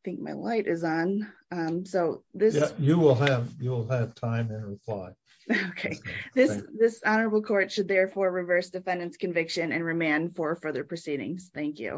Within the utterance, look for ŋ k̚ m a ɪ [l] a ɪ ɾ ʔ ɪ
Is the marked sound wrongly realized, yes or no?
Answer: no